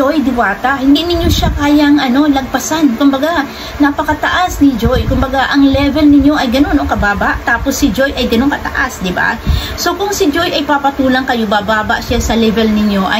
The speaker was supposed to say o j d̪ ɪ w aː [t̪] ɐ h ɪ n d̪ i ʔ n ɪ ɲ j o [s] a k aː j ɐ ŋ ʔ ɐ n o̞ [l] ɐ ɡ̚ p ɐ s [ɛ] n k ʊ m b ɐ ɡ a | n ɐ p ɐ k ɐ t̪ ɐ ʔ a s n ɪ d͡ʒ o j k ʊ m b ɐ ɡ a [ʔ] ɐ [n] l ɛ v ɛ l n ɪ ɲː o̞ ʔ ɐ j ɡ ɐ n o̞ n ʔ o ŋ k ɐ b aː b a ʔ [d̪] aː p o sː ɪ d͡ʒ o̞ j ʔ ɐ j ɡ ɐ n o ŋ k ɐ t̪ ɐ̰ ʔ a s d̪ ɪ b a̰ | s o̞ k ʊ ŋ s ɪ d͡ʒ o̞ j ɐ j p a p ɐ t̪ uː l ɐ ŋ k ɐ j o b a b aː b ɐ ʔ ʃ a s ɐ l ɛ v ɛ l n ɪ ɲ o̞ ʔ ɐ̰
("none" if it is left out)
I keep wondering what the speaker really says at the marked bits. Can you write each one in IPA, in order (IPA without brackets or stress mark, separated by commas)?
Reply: t̪, ʃ, l, a, ʔ, ŋ, t̪